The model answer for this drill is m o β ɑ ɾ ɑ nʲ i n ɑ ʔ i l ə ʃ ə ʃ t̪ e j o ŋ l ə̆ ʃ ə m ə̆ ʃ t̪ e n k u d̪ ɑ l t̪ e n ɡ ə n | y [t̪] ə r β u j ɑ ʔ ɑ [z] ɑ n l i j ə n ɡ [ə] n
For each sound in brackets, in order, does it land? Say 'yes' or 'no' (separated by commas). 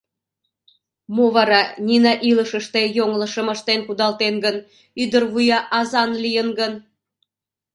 no, yes, yes